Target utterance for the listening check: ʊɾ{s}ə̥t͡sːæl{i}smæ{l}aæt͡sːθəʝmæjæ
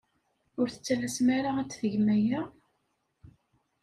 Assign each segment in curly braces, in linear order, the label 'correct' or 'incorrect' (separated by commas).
incorrect, incorrect, incorrect